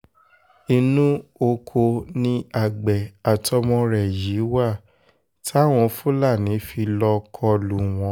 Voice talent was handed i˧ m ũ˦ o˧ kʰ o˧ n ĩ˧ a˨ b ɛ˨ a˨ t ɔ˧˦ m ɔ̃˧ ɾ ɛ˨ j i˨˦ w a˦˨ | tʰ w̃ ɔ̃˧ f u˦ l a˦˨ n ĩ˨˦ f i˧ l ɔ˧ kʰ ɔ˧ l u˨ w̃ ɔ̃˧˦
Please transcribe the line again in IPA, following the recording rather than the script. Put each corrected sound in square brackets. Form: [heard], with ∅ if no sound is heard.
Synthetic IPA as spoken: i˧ [n] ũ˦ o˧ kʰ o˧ n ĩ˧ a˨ [ɡ͡b] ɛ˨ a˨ t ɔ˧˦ m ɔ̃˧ ɾ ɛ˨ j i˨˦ w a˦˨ | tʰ w̃ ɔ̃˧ f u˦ l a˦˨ n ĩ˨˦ f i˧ l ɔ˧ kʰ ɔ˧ l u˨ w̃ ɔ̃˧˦